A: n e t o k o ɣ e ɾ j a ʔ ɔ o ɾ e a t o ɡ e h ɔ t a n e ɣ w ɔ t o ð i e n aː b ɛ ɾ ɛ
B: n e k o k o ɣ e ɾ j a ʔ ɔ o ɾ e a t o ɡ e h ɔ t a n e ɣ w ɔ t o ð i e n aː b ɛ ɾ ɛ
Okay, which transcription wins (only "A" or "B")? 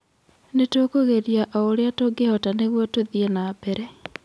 A